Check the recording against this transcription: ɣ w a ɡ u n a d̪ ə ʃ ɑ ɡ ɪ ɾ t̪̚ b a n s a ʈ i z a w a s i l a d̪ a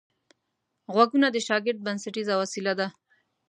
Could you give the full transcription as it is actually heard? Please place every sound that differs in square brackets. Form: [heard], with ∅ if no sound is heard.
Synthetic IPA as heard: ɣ w a ɡ u n a d̪ ə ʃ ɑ ɡ ɪ ɾ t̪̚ b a n s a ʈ i z a w a s i l a d̪ a